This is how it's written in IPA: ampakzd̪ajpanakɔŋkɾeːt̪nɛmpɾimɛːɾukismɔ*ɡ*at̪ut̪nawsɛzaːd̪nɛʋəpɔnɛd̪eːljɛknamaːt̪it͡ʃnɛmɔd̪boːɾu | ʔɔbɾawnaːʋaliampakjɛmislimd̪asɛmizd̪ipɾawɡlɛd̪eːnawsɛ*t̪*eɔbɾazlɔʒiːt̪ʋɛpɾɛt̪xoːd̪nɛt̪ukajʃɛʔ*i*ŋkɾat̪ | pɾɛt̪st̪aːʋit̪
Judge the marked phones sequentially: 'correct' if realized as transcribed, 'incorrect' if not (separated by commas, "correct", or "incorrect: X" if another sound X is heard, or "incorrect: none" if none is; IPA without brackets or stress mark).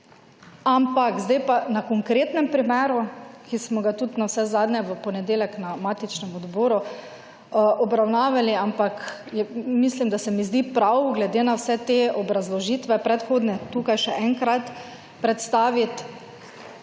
correct, correct, incorrect: ɛ